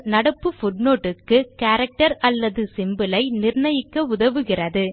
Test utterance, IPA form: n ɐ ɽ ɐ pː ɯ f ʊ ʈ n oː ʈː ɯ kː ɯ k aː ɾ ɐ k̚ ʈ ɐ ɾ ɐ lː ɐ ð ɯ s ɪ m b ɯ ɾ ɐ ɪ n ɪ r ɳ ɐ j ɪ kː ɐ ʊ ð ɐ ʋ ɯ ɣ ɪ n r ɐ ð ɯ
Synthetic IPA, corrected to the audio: n ɐ ɽ ɐ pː ɯ f ʊ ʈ n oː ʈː ɯ kː ɯ k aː ɾ ɐ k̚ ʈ ɐ ɾ ɐ lː ɐ ð ɯ s ɪ m b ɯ l ɐ ɪ n ɪ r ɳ ɐ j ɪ kː ɐ ʊ ð ɐ ʋ ɯ ɣ ɪ r ɐ ð ɯ